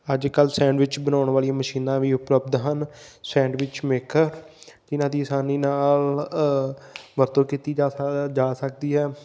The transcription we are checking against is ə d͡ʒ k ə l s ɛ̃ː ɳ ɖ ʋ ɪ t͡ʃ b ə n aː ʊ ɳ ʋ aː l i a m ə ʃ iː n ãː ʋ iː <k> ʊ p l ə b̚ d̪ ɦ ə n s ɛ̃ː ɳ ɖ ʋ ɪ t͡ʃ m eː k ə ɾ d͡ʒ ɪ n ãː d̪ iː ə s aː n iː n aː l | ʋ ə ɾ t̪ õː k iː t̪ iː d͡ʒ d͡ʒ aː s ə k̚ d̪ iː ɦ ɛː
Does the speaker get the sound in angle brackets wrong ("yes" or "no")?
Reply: yes